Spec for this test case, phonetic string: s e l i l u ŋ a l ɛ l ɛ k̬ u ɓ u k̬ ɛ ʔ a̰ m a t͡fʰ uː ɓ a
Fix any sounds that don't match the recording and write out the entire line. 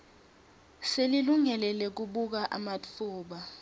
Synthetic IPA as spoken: s e l i l u ŋ ɛ l ɛ l ɛ k̬ u ɓ u k̬ a ʔ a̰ m a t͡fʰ uː ɓ a